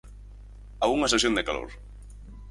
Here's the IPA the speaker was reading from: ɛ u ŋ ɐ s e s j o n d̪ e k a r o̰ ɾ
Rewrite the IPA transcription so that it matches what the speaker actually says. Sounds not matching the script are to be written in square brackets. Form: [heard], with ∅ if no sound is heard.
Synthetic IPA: [a] u ŋ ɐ s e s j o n d̪ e k a [l] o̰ ɾ

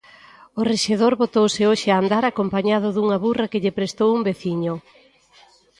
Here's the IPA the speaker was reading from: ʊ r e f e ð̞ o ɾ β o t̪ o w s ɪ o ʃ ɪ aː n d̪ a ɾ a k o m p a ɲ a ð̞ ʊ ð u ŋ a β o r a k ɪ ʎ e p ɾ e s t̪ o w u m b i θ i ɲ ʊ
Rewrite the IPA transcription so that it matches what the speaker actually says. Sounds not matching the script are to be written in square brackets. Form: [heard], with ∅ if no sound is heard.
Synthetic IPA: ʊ r e [ʃ] e ð̞ o ɾ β o t̪ o w s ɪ o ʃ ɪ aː n d̪ a ɾ a k o m p a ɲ a ð̞ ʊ ð u ŋ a β [u] r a k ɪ ʎ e p ɾ e s t̪ o w u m b [e] θ i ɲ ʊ

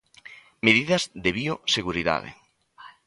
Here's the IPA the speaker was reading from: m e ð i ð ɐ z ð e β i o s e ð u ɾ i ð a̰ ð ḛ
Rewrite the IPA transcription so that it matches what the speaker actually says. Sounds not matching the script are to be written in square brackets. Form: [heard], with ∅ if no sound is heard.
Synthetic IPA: m e ð i ð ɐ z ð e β i o s e [ɣ] u ɾ i ð a̰ ð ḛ

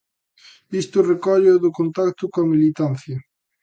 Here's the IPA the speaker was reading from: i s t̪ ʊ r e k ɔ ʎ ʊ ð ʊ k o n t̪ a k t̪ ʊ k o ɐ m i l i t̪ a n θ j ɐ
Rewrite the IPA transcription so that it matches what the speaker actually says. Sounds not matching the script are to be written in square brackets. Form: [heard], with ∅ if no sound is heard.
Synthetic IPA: i s t̪ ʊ r e k ɔ ʎ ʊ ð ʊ k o n t̪ a k t̪ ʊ k o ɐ m i l i t̪ a n θ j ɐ

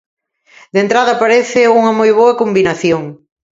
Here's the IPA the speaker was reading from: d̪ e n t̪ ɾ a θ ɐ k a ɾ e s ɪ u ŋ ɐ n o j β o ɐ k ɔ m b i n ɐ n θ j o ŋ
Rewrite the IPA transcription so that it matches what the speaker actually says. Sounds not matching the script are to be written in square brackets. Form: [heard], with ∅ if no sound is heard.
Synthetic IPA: d̪ e n t̪ ɾ a [ð] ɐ [p] a ɾ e [θ] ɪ u ŋ ɐ [m] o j β o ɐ k [o] m b i n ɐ [∅] θ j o ŋ

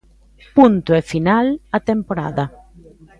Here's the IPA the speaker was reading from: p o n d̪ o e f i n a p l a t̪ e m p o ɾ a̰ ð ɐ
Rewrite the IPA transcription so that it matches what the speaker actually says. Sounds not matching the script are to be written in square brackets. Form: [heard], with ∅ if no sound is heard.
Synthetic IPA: p [u] n [t̪] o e f i n a [∅] l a t̪ e m p o ɾ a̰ ð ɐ

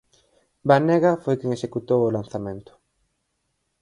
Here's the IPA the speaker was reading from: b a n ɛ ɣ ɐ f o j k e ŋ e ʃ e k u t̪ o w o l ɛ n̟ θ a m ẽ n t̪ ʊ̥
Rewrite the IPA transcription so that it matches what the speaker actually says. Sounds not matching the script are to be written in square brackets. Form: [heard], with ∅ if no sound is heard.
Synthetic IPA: b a n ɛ ɣ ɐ f o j k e ŋ e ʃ e k u t̪ o w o l [a] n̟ θ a m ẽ n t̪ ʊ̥

